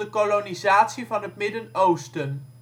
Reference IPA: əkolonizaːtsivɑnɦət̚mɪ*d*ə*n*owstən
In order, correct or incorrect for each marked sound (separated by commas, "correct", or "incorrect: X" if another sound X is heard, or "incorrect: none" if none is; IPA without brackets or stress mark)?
correct, correct